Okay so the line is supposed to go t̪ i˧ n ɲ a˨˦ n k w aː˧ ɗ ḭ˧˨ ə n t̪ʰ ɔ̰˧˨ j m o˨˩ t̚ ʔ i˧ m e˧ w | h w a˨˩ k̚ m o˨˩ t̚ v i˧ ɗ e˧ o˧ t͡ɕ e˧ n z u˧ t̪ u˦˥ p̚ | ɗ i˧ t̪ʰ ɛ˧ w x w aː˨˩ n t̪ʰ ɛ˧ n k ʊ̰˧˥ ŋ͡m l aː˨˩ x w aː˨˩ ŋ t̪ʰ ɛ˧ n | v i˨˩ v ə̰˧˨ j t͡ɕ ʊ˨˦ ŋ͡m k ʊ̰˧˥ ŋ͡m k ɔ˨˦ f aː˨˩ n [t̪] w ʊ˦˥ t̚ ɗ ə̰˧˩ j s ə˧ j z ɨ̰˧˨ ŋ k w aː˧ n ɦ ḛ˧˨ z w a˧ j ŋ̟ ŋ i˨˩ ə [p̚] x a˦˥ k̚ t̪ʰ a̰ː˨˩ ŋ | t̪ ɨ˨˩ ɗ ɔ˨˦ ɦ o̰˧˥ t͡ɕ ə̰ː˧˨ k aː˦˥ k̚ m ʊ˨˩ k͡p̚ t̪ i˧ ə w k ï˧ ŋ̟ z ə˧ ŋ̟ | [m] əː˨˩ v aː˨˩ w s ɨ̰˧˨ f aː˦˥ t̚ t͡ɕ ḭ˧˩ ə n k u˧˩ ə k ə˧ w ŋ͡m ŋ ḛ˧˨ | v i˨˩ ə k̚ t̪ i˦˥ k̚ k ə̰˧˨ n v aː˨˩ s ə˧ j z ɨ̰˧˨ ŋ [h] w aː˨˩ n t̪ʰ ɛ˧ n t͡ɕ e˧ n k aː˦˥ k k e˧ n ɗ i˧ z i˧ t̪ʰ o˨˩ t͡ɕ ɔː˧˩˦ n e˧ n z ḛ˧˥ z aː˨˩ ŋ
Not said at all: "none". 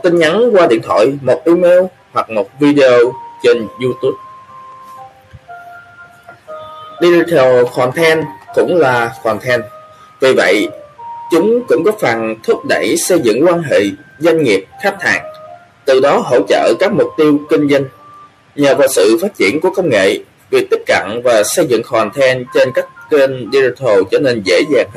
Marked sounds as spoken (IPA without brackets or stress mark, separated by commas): t̪ʰ, p̚, ɲ, x